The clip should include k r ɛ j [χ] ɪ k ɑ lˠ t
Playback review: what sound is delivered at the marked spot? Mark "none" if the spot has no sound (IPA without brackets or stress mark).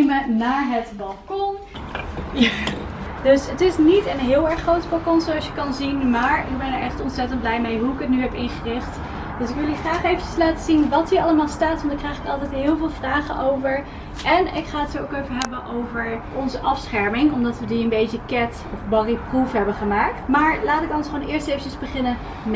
χ